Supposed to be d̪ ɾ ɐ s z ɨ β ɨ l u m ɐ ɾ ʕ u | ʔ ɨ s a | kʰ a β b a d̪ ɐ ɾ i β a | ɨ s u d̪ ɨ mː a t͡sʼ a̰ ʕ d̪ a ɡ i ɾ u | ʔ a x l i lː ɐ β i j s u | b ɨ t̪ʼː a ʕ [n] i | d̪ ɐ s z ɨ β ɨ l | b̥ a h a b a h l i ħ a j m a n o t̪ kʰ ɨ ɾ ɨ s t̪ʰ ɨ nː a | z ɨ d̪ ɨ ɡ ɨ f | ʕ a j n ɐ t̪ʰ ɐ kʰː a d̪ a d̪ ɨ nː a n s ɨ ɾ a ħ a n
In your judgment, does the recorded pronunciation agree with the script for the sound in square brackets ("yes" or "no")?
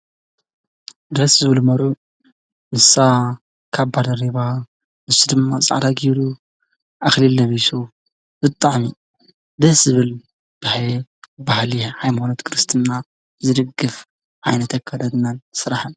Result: no